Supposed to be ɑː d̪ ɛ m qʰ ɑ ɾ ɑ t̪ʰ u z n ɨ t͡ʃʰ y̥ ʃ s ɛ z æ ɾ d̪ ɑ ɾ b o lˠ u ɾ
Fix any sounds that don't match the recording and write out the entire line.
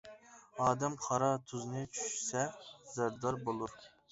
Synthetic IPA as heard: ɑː d̪ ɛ m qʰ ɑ ɾ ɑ t̪ʰ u z n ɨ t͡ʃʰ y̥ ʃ s ɛ z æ ɾ d̪ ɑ ɾ b o lˠ u ɾ